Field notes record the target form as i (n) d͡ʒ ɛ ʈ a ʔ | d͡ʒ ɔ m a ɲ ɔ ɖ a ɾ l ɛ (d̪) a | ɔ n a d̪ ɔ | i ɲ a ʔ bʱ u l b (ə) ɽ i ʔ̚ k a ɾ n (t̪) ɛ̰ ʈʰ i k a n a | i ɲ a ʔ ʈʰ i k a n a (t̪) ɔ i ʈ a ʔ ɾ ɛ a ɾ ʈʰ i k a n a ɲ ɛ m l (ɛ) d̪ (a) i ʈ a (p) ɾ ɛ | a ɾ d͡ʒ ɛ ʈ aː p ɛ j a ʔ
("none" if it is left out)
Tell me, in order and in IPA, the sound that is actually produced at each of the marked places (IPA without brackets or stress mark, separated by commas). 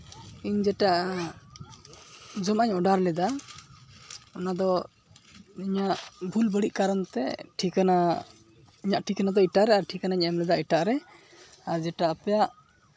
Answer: ɲ, d̪, ə, t̪, d̪, ɛ, a, ʔ